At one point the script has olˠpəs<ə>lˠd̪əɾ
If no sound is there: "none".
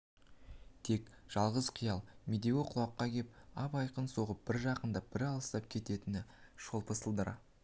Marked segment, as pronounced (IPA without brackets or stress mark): ə